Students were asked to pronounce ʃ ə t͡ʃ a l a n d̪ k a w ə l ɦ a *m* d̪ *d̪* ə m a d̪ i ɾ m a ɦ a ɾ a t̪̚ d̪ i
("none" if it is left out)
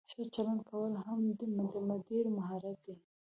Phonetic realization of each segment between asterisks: m, d̪

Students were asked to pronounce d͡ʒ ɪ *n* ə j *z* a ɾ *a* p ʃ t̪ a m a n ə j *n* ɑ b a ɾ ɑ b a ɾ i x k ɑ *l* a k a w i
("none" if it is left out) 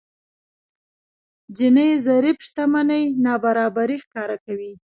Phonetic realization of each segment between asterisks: n, z, i, n, ɾ

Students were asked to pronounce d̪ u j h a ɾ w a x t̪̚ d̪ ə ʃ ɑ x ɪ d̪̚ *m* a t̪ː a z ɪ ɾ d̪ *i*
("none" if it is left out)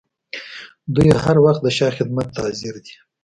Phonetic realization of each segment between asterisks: m, i

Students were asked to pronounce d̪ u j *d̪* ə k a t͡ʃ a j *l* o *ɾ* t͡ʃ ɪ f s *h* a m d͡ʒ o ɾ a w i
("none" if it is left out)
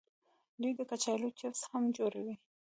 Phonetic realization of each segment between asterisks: d̪, l, none, h

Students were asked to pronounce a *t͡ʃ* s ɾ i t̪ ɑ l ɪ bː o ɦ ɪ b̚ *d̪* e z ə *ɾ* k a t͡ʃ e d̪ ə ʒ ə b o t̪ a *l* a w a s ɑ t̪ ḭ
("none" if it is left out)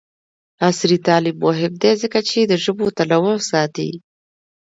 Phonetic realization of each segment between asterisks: none, d̪, none, l

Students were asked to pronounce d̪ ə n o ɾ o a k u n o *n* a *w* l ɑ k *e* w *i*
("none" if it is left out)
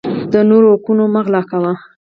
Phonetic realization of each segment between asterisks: m, ɣ, a, a

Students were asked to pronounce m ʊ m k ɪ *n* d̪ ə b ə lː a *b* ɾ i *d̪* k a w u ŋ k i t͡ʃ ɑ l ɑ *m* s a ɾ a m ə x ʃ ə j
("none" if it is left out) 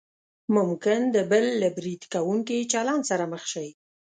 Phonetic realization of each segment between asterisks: n, b, d̪, n

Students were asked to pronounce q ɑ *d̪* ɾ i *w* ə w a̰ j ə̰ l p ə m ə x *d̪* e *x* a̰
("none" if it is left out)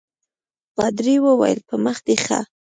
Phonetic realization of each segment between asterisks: d̪, w, d̪, x

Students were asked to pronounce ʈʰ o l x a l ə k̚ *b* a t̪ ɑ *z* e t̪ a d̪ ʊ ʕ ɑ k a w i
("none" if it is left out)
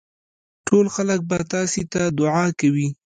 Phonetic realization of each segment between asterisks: b, s

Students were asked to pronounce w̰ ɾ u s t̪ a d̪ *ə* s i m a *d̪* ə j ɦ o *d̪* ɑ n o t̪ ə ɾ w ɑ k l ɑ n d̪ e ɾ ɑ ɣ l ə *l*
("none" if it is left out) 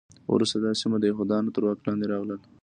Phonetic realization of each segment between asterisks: ɑ, d̪, d̪, l

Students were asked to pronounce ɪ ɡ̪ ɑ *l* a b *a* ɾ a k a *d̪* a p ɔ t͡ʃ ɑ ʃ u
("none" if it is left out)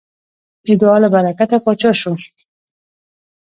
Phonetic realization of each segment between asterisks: l, a, t̪

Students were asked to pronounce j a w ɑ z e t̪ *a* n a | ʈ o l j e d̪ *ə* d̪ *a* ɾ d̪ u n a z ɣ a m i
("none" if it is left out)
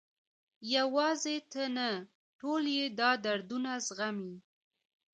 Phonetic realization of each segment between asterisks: ə, ɑ, a

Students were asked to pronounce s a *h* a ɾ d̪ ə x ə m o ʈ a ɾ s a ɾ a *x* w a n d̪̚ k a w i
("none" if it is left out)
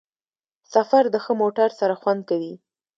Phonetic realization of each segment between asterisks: f, x

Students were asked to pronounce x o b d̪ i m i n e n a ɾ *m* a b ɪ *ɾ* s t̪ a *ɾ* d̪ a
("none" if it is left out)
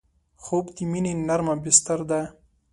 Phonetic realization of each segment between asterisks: m, none, ɾ

